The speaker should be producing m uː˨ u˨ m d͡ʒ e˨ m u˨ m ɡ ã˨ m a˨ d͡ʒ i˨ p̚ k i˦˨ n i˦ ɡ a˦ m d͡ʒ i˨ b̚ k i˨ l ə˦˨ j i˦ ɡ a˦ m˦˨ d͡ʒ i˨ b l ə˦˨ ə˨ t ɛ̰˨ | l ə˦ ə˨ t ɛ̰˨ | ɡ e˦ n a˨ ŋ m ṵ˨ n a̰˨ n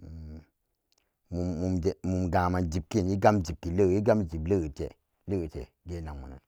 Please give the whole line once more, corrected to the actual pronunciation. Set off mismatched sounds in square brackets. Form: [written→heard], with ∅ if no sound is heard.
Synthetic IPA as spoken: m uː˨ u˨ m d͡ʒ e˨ m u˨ m ɡ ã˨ m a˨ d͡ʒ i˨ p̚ k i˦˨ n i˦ ɡ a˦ m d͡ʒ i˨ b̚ k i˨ l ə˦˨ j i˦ ɡ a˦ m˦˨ d͡ʒ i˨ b l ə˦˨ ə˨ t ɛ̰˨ | l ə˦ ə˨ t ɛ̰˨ | ɡ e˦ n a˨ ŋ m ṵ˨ n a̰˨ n